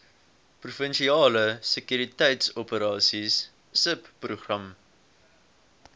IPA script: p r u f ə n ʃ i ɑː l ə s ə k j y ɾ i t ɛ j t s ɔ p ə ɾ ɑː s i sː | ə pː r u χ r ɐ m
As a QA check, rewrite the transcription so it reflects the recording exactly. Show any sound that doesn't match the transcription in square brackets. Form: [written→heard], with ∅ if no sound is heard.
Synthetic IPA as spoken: p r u f ə n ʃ i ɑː l ə s ə k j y ɾ i t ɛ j t s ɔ p ə ɾ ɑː s i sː | ə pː r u χ r ɐ m